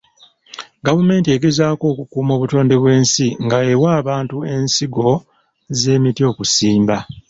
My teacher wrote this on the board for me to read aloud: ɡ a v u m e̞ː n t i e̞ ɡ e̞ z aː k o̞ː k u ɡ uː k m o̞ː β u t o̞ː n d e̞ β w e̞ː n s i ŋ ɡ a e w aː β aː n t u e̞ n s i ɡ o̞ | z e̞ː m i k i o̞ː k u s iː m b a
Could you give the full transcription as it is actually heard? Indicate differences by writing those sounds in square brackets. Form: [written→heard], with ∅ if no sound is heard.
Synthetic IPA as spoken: ɡ a v u m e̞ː n t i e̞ ɡ e̞ z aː k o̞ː k u [ɡ→k] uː [k→∅] m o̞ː β u t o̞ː n d e̞ β w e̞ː n s i ŋ ɡ a e w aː β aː n t u e̞ n s i ɡ o̞ | z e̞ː m i [k→t] i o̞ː k u s iː m b a